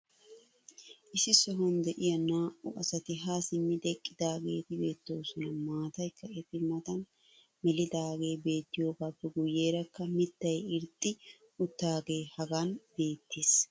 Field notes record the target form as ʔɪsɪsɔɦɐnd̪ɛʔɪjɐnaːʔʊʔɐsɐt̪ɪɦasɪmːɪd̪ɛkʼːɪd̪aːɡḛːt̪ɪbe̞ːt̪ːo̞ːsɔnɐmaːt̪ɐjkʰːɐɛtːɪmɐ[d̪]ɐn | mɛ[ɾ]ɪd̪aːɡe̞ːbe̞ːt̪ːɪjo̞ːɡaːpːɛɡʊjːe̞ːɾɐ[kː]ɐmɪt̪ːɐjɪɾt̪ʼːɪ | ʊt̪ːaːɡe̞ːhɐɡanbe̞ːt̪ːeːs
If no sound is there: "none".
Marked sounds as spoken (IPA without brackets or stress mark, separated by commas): t̪, l, kː